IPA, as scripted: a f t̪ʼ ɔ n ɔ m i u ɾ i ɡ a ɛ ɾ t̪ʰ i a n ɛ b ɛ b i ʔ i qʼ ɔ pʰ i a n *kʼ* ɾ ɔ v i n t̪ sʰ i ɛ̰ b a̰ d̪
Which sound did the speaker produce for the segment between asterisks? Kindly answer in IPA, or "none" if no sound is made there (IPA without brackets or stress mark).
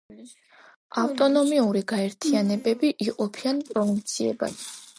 pʼ